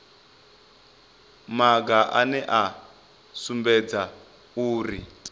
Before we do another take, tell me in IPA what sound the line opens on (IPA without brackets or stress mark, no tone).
m